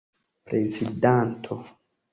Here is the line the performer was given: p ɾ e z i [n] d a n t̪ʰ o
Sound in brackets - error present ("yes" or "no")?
yes